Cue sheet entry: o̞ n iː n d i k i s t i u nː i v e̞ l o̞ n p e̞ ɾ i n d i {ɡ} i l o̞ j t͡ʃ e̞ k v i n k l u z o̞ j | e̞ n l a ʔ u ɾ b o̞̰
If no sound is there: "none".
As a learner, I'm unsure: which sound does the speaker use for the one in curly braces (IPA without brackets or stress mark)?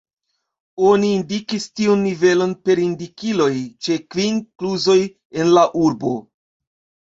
k